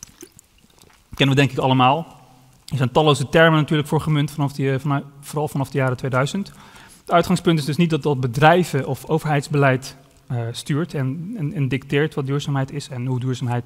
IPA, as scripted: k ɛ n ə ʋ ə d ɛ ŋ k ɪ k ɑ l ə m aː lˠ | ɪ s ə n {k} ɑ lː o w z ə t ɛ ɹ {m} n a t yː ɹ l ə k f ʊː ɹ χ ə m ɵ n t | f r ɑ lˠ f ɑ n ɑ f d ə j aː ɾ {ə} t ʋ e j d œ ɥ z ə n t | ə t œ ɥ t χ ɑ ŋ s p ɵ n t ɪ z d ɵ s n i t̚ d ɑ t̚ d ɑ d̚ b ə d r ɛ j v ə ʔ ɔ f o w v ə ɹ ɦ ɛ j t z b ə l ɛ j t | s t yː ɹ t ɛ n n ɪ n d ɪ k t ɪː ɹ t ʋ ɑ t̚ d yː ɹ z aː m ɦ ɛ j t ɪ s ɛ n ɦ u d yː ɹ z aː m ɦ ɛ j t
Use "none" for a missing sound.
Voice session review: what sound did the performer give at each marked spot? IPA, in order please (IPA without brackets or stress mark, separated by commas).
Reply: t, m, ə